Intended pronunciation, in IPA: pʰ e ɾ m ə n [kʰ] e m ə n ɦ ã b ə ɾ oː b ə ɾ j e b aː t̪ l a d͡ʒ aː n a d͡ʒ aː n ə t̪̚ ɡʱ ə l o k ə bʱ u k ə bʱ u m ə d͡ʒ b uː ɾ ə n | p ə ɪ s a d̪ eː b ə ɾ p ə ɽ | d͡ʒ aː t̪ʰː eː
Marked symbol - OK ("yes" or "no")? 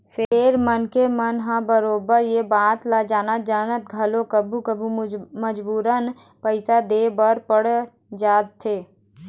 no